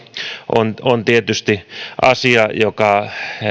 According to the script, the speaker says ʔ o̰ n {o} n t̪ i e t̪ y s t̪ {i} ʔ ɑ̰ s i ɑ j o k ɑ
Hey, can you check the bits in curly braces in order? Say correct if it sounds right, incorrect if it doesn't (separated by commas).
correct, correct